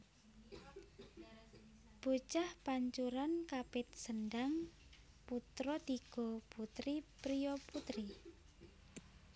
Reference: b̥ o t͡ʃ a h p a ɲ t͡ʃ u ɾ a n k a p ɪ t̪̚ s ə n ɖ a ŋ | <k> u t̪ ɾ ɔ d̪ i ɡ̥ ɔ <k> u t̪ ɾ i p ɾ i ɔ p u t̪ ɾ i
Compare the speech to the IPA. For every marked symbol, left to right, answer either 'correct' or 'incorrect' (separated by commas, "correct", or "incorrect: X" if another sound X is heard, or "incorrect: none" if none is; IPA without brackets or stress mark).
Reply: incorrect: p, incorrect: p